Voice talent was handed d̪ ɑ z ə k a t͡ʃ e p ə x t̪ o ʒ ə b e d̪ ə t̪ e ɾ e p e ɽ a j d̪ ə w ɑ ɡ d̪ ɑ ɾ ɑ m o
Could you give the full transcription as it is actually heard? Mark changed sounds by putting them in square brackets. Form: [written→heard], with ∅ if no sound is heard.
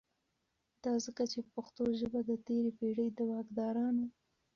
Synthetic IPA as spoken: d̪ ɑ z ə k a t͡ʃ e p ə x t̪ o ʒ ə b [e→a] d̪ ə t̪ e ɾ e p e ɽ [a→ə] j d̪ ə w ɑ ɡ d̪ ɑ ɾ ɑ [m→n] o